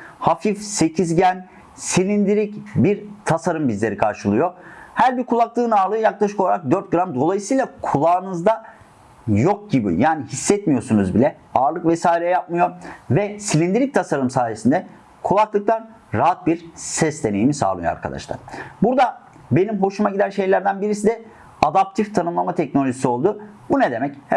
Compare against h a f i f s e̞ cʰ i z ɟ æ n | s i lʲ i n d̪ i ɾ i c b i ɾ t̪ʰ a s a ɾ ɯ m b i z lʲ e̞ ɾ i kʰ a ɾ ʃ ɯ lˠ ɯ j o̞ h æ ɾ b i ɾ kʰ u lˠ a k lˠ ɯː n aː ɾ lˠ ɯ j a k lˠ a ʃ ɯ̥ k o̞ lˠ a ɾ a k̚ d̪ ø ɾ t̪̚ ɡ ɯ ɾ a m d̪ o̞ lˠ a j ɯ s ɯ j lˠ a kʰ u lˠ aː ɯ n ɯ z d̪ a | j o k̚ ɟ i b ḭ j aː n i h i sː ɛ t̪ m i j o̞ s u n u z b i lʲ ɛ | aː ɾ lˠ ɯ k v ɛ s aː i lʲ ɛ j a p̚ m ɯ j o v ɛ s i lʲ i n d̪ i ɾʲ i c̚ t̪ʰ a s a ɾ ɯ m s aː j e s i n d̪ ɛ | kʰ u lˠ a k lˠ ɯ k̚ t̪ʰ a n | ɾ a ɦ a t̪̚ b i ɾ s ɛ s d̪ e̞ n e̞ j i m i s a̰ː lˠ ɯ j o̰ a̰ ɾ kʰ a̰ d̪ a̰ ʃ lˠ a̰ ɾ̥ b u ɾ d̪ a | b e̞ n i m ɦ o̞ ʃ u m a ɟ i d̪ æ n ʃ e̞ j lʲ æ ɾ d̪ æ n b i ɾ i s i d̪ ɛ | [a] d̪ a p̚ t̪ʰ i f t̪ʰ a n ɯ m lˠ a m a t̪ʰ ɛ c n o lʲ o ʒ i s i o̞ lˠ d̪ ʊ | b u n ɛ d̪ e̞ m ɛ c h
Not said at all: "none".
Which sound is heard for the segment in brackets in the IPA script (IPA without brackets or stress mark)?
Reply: a